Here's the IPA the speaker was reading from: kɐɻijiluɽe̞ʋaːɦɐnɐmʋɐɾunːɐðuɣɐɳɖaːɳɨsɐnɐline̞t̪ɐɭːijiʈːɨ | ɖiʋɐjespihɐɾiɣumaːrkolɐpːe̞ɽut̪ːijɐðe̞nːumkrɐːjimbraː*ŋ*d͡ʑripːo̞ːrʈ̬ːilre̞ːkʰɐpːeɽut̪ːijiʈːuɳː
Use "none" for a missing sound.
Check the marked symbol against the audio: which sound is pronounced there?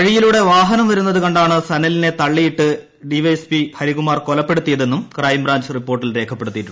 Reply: ɲ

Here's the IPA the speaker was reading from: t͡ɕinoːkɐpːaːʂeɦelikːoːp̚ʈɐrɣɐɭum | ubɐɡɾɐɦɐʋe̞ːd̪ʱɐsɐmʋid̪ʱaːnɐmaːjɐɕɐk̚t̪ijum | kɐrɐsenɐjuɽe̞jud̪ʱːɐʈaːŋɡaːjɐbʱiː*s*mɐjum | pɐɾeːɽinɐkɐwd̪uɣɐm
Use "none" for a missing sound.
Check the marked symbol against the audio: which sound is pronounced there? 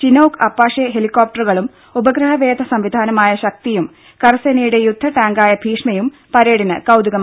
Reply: ʂ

